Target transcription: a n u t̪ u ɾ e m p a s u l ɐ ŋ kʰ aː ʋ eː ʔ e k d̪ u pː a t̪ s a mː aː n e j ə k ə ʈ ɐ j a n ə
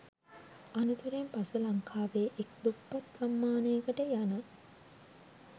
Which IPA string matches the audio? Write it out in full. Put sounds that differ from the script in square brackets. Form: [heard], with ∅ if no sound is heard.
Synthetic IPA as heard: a n u t̪ u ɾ e m p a s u l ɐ ŋ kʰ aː ʋ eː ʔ e k d̪ u pː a t̪ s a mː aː n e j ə k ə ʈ [ə] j a n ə